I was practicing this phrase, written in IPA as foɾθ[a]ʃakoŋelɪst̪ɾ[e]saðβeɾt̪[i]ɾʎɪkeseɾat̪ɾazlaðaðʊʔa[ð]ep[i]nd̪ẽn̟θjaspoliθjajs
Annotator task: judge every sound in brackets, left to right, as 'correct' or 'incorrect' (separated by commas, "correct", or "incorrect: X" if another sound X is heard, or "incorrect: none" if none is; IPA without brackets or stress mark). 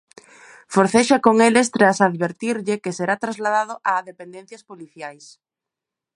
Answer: incorrect: e, incorrect: a, correct, correct, incorrect: e